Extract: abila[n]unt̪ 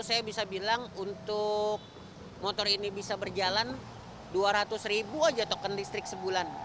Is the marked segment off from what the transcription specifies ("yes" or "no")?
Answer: yes